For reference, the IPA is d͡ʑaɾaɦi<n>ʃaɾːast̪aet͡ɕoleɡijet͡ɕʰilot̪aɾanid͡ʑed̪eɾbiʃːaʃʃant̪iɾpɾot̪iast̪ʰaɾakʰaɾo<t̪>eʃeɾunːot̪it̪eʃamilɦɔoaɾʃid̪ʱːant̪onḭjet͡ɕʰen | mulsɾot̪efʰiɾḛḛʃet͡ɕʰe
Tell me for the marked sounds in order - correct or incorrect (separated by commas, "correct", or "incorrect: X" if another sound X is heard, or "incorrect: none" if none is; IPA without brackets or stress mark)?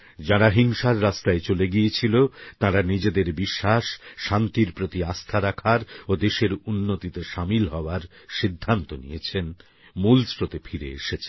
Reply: incorrect: ŋ, incorrect: d̪